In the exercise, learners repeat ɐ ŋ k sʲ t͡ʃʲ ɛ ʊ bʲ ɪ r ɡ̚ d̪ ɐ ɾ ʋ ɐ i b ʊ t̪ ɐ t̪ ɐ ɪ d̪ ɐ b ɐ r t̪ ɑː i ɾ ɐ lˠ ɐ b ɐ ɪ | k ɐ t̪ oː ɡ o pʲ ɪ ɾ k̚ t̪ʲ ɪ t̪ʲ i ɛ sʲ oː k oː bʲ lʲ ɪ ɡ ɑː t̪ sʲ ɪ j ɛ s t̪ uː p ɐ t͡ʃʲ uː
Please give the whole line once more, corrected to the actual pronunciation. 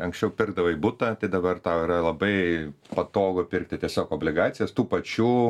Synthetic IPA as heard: ɐ ŋ k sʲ t͡ʃʲ ɛ ʊ pʲ ɪ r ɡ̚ d̪ ɐ ʋ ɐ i b ʊ t̪ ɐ t̪ ɐ ɪ d̪ ɐ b ɐ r t̪ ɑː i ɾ ɐ lˠ ɐ b ɐ ɪ | p ɐ t̪ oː ɡ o pʲ ɪ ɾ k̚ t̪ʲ ɪ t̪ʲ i ɛ sʲ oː k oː bʲ lʲ ɪ ɡ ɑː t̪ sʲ ɪ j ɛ s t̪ uː p ɐ t͡ʃʲ uː